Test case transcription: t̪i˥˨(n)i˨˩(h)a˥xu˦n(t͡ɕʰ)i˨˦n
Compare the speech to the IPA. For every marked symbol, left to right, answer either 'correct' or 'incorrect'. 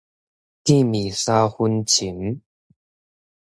incorrect: m, incorrect: s, correct

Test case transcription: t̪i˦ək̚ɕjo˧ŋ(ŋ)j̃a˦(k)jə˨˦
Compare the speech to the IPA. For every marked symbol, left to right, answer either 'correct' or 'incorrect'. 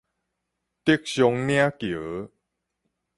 incorrect: n, correct

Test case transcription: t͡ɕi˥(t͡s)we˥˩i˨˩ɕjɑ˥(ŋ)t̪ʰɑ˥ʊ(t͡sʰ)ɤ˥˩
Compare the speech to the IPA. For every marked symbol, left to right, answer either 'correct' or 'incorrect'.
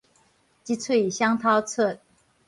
incorrect: t͡sʰ, correct, correct

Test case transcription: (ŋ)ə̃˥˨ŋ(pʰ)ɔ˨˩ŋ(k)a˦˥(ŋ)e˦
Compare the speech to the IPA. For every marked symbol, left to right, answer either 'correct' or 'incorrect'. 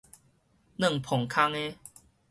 incorrect: n, correct, incorrect: kʰ, correct

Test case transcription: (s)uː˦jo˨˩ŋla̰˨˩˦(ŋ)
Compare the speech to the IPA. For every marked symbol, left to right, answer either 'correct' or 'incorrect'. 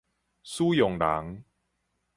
correct, correct

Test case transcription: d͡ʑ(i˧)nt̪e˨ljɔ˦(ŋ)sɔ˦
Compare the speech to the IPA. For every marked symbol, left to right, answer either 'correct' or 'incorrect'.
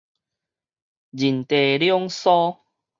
incorrect: i˨˩, correct

